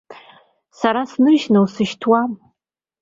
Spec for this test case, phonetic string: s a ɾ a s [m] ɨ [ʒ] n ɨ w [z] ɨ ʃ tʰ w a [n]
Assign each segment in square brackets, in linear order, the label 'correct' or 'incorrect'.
incorrect: n, correct, incorrect: s, incorrect: m

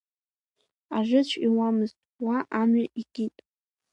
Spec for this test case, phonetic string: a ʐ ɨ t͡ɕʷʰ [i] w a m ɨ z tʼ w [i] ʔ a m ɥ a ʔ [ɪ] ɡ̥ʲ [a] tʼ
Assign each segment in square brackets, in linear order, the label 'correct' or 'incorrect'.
correct, incorrect: a, incorrect: i, incorrect: i

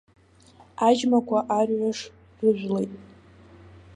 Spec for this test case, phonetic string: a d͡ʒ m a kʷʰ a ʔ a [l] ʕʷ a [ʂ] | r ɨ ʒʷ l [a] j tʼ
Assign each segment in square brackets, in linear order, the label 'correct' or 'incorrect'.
incorrect: r, correct, incorrect: e

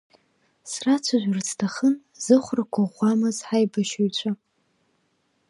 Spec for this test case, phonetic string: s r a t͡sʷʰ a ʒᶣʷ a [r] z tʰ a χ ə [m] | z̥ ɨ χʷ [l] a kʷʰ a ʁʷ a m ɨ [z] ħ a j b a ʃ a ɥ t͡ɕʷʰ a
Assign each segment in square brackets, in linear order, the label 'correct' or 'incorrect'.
correct, incorrect: n, incorrect: r, correct

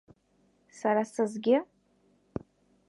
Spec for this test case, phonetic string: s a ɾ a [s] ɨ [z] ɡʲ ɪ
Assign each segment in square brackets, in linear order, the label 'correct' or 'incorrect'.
correct, correct

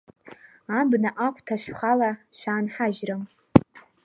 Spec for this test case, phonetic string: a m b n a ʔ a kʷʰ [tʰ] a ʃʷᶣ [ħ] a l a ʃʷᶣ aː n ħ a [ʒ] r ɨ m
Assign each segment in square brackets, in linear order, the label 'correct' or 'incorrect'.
correct, incorrect: χ, correct

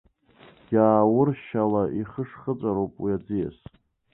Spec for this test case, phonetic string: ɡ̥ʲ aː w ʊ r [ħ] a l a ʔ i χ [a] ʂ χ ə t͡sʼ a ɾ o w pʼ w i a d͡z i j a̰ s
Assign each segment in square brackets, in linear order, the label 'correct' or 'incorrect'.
incorrect: ʃ, incorrect: ə

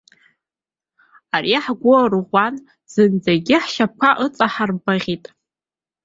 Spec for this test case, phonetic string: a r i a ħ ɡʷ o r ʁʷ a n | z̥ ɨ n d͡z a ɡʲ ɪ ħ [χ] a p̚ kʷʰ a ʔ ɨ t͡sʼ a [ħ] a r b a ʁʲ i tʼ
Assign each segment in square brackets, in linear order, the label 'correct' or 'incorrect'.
incorrect: ʃ, correct

